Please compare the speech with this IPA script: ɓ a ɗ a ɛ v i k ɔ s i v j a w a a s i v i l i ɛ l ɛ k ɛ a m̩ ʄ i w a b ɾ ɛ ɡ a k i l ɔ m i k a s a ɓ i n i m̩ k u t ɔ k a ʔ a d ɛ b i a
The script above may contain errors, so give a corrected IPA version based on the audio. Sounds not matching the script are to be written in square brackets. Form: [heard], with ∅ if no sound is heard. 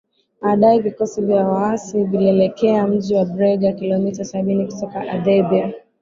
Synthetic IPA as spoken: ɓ a ɗ a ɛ v i k ɔ s i v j a w a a s i v i l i ɛ l ɛ k ɛ a m̩ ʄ i w a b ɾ ɛ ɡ a k i l ɔ m i [t] a s a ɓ i n i [∅] k u t ɔ k a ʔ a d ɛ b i a